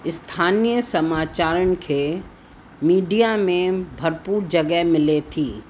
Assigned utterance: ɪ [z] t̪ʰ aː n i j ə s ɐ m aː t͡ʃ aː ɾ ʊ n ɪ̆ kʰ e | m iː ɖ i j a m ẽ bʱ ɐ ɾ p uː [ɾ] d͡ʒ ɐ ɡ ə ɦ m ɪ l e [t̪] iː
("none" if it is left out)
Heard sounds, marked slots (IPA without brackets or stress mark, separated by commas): s, ɾ, t̪ʰ